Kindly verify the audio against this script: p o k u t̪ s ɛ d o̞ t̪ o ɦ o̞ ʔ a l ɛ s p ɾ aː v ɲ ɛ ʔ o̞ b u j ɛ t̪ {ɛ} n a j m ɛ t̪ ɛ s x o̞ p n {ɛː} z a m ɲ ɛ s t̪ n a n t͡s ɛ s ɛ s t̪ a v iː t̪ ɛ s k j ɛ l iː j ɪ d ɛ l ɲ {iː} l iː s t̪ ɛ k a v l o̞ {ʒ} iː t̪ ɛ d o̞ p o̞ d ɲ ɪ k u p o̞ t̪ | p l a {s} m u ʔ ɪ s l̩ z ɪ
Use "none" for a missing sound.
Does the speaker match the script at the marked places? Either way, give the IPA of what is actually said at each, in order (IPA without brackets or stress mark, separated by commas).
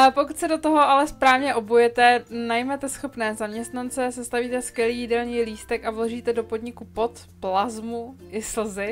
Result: ɛ, ɛː, iː, ʒ, z